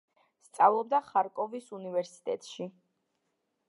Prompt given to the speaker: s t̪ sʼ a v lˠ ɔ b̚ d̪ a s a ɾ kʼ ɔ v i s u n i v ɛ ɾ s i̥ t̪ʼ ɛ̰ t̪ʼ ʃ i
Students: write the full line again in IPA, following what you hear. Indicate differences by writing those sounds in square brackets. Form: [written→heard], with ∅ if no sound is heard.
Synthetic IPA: s t̪ sʼ a v lˠ ɔ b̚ d̪ a [s→χ] a ɾ kʼ ɔ v i s u n i v ɛ ɾ s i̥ t̪ʼ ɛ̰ t̪ʼ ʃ i